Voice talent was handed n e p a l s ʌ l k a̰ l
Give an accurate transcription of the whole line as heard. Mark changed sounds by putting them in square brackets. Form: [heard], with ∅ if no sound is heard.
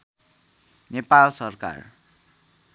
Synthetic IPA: n e p a l s ʌ [r] k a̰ [r]